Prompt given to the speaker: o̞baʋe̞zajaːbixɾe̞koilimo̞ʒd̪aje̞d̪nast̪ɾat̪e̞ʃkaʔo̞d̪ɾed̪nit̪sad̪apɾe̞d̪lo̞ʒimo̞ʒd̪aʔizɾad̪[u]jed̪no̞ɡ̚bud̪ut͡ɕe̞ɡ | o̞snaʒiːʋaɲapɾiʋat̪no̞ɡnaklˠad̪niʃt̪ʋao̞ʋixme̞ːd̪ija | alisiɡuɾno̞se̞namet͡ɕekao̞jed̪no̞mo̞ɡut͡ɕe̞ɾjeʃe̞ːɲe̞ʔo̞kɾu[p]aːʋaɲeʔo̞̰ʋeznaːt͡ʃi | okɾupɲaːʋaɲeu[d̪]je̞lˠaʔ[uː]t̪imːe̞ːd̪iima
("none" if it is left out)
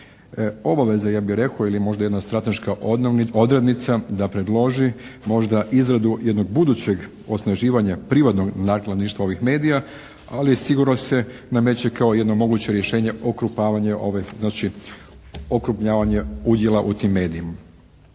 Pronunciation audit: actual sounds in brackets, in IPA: u, p, d̪, u

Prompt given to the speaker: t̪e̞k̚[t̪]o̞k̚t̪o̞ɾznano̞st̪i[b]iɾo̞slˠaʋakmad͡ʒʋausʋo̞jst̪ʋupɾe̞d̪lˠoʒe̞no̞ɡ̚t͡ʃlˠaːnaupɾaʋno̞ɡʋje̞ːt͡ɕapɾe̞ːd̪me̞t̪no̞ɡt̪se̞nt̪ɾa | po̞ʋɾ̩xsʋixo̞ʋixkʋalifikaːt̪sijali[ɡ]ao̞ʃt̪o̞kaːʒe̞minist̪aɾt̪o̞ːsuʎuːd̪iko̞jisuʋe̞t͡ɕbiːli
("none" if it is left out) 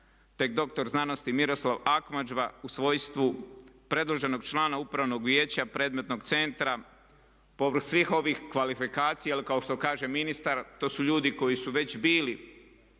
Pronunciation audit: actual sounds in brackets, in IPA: d̪, m, k

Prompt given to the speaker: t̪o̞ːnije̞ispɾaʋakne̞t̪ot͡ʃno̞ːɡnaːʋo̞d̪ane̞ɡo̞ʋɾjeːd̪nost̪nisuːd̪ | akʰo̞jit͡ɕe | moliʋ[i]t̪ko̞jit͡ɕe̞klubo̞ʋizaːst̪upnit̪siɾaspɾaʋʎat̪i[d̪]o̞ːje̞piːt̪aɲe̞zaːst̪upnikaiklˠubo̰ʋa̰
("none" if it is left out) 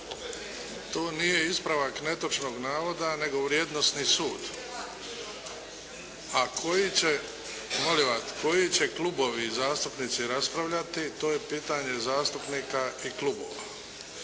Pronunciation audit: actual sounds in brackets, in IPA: a, t̪

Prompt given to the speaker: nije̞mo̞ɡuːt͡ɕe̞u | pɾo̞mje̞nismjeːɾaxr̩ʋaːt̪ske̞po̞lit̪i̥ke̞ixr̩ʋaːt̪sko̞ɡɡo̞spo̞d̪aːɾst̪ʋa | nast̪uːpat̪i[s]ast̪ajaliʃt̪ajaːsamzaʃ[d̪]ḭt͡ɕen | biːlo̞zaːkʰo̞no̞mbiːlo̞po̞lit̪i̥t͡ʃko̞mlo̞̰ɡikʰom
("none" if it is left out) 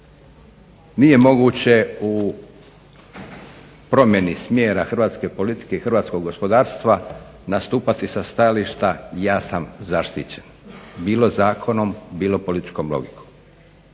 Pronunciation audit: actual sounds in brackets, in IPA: s, t̪

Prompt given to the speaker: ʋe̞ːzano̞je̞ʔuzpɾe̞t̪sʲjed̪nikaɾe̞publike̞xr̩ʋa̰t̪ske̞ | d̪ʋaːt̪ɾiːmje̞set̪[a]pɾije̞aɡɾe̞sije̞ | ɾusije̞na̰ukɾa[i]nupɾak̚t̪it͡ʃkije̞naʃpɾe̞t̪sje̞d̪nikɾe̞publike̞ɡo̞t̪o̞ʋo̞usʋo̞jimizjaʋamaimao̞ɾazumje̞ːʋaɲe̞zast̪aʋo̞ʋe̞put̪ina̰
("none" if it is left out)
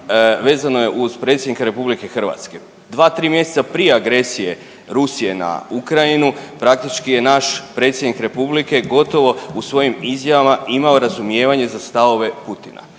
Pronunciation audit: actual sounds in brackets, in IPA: a, i

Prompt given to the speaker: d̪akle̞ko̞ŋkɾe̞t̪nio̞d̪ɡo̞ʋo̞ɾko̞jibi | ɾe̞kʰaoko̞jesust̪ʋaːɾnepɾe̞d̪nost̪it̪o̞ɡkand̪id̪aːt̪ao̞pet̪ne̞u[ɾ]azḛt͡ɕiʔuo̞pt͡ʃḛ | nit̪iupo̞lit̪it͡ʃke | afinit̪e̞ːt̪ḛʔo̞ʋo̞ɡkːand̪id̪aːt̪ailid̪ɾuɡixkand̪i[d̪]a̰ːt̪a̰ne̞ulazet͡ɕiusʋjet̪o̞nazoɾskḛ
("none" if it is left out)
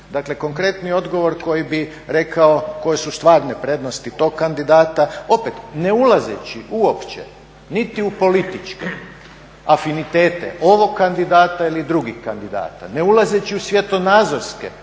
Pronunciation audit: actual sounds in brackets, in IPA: l, d̪

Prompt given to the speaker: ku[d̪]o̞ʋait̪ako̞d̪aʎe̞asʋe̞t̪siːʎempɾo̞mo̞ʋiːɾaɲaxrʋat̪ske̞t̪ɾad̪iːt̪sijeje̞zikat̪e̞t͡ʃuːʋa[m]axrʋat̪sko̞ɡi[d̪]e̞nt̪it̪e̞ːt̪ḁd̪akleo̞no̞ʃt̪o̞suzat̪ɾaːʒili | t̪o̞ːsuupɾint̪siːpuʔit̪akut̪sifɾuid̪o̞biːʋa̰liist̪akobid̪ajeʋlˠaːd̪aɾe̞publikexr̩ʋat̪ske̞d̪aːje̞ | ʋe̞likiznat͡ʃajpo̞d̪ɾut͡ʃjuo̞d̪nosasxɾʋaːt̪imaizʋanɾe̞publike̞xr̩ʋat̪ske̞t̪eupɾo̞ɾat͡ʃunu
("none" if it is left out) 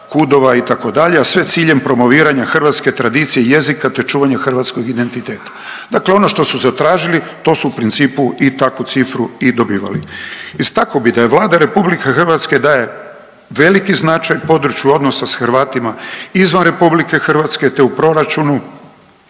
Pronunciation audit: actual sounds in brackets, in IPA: d̪, ɲ, d̪

